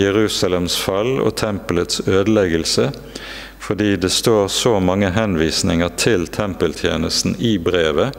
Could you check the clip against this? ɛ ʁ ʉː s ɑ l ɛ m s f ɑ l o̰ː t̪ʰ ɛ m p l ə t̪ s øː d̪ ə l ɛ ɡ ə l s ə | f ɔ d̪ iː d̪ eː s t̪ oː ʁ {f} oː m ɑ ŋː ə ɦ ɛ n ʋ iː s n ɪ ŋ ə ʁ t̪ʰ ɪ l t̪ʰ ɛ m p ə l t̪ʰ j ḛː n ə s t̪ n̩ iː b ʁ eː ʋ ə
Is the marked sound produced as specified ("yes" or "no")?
no